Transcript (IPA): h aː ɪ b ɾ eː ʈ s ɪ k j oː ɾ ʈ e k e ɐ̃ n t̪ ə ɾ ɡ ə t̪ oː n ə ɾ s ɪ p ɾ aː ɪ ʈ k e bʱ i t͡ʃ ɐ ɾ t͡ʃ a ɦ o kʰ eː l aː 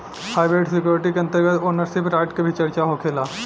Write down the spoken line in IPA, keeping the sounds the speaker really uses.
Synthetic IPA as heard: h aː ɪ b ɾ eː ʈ s ɪ k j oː ɾ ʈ i k e ɐ̃ n t̪ ə ɾ ɡ ə t̪ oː n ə ɾ s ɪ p ɾ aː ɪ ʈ k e bʱ i t͡ʃ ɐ ɾ t͡ʃ a ɦ o kʰ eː l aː